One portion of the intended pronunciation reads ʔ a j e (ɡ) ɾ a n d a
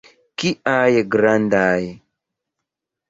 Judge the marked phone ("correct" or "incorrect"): correct